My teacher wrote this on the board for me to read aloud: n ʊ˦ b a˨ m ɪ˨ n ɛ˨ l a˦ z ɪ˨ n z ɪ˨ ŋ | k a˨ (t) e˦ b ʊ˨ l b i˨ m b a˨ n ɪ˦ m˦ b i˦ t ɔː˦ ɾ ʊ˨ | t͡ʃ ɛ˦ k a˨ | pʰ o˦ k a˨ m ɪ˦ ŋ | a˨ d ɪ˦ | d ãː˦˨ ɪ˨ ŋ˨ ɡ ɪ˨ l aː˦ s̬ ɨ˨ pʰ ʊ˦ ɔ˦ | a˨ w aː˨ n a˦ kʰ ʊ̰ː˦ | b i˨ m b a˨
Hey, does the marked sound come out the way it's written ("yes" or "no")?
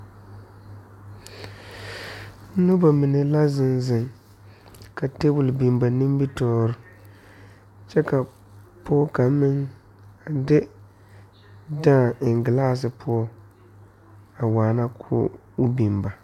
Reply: yes